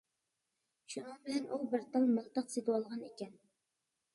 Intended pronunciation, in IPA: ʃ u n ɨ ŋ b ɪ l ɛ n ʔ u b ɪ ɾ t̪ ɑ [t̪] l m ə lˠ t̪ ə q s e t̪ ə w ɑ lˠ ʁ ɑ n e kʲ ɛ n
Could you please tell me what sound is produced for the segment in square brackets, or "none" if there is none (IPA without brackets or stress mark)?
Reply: none